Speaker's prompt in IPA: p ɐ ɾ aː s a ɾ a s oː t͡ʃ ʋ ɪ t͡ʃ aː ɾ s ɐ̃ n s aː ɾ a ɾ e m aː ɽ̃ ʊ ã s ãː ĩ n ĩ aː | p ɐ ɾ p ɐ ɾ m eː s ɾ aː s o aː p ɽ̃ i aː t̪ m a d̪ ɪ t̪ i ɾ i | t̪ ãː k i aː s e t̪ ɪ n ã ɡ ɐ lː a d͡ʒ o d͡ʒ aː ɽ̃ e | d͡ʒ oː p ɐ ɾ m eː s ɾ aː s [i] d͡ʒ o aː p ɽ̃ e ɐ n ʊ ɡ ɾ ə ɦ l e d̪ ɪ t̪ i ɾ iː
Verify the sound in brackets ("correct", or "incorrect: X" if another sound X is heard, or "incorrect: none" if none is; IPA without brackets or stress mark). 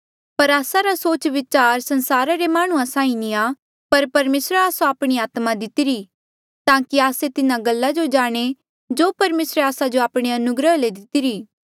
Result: incorrect: a